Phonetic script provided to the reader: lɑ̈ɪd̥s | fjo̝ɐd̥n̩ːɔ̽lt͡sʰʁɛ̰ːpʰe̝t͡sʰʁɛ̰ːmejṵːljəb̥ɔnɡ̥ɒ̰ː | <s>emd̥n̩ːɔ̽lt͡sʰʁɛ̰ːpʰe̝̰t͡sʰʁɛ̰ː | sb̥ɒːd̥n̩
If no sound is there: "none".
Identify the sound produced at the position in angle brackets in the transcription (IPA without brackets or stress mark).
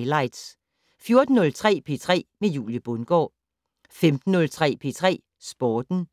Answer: f